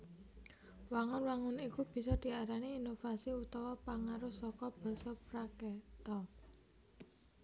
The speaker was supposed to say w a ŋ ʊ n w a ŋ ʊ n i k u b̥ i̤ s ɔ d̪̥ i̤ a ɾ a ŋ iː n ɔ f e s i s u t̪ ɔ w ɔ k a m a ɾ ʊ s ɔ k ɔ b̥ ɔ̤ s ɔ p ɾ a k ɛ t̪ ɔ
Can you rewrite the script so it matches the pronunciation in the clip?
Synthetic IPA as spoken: w a ŋ ʊ n w a ŋ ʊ n i k u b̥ i̤ s ɔ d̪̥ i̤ a ɾ a n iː n o f a s i u t̪ ɔ w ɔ p a ŋ a ɾ ʊ s ɔ k ɔ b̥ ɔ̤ s ɔ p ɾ a k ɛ t̪ ɔ